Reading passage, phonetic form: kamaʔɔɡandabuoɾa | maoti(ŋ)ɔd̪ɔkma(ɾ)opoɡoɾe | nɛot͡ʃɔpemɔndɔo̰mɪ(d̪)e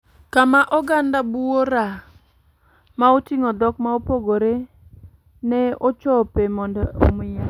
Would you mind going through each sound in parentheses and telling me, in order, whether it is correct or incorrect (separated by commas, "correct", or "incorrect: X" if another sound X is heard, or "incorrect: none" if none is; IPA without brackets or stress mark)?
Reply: correct, incorrect: none, incorrect: none